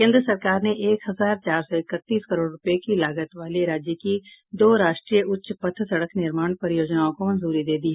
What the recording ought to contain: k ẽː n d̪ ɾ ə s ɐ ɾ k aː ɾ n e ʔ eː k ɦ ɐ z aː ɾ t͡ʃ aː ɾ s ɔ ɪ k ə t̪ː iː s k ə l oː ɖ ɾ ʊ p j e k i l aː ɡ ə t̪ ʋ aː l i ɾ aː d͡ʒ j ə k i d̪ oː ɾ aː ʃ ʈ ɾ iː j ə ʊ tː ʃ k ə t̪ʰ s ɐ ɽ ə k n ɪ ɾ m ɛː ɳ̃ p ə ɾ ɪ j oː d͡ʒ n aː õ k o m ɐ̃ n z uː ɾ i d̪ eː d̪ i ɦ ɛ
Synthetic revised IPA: k ẽː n d̪ ɾ ə s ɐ ɾ k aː ɾ n e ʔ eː k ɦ ɐ z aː ɾ t͡ʃ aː ɾ s ɔ ɪ k ə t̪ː iː s k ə ɾ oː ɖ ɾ ʊ p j e k i l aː ɡ ə t̪ ʋ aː l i ɾ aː d͡ʒ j ə k i d̪ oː ɾ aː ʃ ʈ ɾ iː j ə ʊ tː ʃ p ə t̪ʰ s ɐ ɽ ə k n ɪ ɾ m aː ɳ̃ p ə ɾ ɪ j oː d͡ʒ n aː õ k o m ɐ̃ n z uː ɾ i d̪ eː d̪ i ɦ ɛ